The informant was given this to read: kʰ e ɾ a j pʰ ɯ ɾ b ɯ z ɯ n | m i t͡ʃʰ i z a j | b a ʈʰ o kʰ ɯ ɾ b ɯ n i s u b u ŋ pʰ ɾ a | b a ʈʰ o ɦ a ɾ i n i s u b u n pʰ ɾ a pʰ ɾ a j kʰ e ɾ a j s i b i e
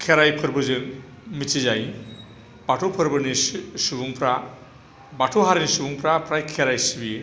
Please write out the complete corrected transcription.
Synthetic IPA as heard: kʰ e ɾ a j pʰ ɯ ɾ b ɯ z ɯ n | m i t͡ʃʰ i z a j | b a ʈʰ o pʰ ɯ ɾ b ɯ n i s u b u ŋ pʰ ɾ a | b a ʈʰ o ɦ a ɾ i n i s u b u ŋ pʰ ɾ a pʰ ɾ a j kʰ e ɾ a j s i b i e